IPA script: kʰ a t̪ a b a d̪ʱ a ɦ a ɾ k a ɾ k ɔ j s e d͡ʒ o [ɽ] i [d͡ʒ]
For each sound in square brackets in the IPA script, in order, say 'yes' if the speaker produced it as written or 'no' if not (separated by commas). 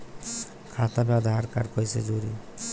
no, no